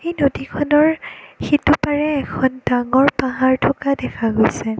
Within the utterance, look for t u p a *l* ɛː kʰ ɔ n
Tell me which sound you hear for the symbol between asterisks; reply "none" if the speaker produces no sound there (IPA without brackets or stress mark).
ɹ